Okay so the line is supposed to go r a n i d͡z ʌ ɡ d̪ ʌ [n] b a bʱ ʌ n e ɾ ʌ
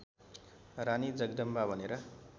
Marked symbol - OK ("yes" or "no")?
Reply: no